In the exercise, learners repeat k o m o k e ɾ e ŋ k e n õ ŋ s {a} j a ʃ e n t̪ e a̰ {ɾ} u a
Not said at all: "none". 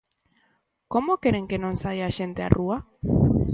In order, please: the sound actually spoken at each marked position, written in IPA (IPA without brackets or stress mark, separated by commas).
a, r